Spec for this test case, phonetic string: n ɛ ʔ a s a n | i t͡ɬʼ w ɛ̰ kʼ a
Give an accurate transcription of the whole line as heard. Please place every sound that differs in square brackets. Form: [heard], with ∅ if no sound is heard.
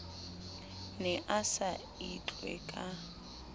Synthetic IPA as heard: n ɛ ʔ a s a [∅] | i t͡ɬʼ w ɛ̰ kʼ a

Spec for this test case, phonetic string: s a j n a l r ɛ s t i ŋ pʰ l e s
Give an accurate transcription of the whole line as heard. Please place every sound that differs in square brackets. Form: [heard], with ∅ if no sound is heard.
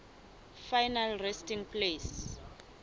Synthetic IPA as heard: [f] a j n a l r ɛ s t i ŋ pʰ l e s

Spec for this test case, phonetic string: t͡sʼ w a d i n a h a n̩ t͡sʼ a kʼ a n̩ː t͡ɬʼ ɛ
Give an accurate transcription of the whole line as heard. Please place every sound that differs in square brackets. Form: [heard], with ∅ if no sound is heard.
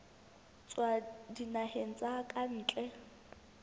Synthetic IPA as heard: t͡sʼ w a d i n a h [e] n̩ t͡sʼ a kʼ a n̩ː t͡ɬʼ ɛ

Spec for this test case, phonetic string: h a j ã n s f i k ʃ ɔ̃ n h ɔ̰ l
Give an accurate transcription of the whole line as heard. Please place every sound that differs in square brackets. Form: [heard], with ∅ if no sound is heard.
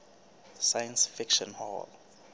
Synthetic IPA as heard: [s] a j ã n s f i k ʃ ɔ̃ n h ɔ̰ l

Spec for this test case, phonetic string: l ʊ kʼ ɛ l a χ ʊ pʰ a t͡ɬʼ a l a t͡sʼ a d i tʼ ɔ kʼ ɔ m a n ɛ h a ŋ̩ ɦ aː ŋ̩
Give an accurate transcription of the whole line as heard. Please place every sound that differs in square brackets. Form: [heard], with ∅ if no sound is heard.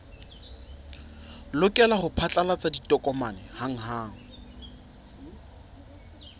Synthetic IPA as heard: l ʊ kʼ ɛ l a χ ʊ pʰ a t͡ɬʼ a l a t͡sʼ a d i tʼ ɔ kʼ ɔ m a n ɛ h a ŋ̩ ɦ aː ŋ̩

